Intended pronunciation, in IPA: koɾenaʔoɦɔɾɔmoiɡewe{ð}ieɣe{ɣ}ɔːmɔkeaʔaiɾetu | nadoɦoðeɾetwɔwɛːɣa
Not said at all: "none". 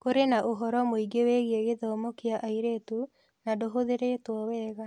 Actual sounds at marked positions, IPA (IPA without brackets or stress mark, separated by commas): ɣ, ð